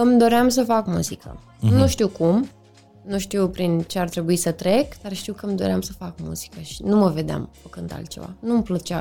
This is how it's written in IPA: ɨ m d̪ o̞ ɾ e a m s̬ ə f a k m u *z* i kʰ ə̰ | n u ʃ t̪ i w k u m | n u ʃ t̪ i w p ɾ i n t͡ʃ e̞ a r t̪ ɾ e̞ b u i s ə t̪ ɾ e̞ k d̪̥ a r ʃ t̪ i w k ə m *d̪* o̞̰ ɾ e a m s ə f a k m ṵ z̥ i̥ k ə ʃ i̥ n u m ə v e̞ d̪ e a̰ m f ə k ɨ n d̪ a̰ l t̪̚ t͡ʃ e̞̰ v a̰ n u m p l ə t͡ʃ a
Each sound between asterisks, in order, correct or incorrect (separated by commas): correct, correct